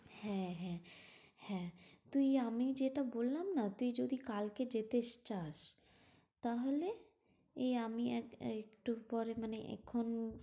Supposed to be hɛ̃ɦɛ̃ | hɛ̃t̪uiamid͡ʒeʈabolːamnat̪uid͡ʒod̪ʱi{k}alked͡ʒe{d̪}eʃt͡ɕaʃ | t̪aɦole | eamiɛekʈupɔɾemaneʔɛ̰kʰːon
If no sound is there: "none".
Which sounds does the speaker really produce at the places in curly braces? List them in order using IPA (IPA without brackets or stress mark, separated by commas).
k, t̪